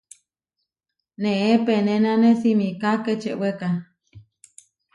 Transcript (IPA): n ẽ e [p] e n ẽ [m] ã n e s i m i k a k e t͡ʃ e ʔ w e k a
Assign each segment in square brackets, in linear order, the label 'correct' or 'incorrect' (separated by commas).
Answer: correct, incorrect